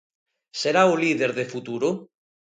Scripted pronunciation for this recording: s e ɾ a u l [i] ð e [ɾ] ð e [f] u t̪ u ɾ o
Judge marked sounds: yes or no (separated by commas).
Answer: yes, yes, yes